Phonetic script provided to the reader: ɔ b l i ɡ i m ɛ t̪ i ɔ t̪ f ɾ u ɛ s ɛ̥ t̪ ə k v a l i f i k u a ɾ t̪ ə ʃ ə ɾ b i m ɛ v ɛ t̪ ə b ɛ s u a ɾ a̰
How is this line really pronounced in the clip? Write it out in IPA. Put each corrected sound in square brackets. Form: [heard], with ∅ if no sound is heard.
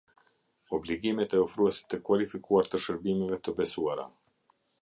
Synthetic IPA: ɔ b l i ɡ i m ɛ t̪ [ɛ] ɔ [∅] f ɾ u ɛ s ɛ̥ t̪ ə k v a l i f i k u a ɾ t̪ ə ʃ ə ɾ b i m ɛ v ɛ t̪ ə b ɛ s u a ɾ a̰